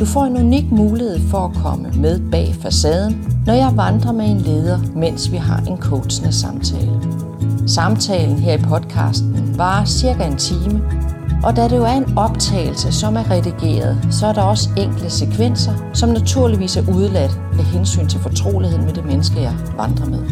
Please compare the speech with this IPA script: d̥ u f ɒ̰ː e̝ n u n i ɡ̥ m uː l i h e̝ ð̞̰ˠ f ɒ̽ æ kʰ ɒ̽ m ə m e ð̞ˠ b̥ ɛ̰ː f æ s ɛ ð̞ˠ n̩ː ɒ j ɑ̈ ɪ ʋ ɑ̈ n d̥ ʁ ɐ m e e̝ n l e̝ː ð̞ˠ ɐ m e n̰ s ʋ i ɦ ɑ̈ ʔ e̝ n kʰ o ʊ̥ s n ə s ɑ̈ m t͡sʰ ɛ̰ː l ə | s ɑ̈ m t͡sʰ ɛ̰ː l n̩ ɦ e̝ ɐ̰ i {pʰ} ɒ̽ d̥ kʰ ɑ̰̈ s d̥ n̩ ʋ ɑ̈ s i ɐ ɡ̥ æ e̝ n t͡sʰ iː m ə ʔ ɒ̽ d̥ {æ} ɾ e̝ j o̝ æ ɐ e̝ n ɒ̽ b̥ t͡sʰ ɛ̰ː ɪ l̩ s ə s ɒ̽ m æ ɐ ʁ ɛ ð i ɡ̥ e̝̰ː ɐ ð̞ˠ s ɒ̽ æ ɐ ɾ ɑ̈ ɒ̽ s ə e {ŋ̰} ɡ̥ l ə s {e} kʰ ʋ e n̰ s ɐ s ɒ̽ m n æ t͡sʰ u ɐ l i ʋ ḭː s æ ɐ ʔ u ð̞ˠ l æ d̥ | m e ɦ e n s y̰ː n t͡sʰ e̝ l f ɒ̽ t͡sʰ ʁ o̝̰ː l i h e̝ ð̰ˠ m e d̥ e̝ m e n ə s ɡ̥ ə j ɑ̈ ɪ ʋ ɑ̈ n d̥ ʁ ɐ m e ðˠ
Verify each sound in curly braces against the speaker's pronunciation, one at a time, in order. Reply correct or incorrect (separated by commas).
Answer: correct, correct, correct, correct